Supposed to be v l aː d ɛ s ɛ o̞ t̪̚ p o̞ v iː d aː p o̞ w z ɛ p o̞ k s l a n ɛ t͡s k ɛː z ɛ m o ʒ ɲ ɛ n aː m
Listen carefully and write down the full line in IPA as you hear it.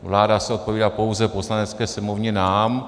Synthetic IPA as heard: v l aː d a s ɛ o̞ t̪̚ p o̞ v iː d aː p o̞ w z ɛ p o̞ s l a n ɛ t͡s k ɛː s ɛ m o v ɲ ɛ n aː m